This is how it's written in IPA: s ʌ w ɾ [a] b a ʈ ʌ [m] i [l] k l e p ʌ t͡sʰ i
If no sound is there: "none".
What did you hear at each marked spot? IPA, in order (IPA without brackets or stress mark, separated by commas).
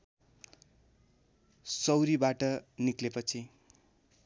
i, n, none